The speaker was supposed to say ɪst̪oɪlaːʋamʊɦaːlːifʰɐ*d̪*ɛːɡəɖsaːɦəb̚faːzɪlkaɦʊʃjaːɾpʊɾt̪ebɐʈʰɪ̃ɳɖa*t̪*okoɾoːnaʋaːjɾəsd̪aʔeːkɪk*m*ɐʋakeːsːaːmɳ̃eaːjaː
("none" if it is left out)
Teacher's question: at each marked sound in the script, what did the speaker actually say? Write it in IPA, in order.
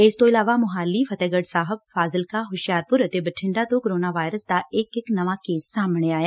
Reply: t̪, t̪, n

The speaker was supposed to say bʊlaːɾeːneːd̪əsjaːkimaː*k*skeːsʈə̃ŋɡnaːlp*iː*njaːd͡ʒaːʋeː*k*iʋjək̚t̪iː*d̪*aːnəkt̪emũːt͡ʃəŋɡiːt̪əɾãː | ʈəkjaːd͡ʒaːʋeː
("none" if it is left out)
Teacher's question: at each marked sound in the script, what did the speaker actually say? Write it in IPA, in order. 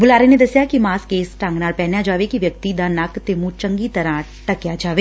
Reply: none, ɛː, k, d̪

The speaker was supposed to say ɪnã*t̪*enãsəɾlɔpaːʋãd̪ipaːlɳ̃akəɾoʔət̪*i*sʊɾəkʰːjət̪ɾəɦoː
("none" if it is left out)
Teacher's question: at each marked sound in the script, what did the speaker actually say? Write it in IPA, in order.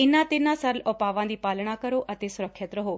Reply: t̪, e

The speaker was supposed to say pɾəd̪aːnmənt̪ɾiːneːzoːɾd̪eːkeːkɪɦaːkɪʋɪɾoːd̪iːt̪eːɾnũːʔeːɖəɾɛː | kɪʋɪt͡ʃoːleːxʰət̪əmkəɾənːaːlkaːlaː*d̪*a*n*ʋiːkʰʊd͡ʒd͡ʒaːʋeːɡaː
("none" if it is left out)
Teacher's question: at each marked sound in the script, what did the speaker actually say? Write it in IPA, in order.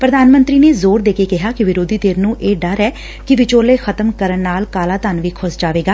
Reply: t̪, n

